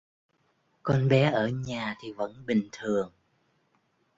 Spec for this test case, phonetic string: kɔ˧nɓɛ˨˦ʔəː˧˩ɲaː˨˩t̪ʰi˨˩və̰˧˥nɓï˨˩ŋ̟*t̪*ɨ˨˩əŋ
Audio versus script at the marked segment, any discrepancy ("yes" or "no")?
yes